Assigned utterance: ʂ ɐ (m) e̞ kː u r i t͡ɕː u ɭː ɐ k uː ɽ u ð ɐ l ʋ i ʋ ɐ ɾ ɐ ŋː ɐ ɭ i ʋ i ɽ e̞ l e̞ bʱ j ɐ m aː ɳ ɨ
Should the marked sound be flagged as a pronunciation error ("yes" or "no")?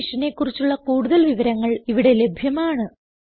yes